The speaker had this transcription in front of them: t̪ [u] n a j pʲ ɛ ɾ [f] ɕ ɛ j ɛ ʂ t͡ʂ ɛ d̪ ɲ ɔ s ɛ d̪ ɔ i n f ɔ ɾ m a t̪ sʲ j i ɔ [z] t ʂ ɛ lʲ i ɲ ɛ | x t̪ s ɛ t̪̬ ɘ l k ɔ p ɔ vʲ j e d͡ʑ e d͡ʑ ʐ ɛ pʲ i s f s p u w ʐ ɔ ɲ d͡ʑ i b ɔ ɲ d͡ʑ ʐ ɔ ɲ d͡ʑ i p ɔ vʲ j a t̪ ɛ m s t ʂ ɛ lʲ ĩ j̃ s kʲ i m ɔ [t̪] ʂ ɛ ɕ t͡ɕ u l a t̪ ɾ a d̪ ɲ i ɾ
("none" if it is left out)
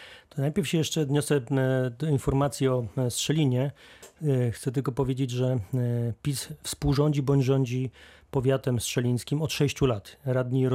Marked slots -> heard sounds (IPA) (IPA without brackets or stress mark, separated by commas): ɔ, f, s, t̪